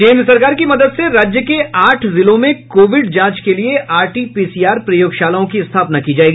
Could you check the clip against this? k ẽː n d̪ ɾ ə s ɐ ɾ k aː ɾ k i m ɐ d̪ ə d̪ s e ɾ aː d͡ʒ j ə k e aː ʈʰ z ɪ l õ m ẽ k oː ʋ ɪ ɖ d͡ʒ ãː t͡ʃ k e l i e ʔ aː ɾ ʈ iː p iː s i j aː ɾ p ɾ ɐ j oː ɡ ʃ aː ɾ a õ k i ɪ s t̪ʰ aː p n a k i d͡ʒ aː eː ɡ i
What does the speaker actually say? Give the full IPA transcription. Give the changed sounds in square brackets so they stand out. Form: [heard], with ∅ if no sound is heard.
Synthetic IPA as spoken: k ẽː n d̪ ɾ ə s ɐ ɾ k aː ɾ k i m ɐ d̪ ə d̪ s e ɾ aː d͡ʒ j ə k e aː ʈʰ z ɪ l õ m ẽ k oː ʋ ɪ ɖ d͡ʒ ãː t͡ʃ k e l i e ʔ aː ɾ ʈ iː p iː s i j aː ɾ p ɾ ɐ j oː ɡ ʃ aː [l] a õ k i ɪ s t̪ʰ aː p n a k i d͡ʒ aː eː ɡ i